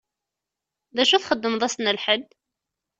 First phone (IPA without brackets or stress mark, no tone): ð